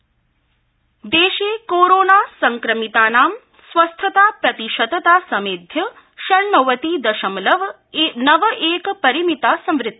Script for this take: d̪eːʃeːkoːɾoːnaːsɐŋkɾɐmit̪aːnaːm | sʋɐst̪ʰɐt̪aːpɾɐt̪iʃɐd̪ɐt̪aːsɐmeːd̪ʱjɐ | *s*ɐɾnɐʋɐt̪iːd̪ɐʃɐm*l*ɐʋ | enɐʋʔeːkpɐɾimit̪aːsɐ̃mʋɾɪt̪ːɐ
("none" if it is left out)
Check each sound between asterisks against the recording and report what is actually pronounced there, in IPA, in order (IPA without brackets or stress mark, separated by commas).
ʃ, l